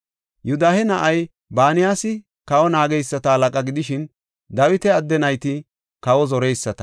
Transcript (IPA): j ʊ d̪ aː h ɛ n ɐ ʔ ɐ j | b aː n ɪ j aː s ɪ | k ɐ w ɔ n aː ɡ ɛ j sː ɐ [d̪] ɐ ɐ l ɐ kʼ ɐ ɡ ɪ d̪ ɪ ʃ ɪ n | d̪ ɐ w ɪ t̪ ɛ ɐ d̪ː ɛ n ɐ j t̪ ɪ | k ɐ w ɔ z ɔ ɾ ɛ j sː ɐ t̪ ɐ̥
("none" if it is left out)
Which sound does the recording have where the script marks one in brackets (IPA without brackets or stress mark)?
t̪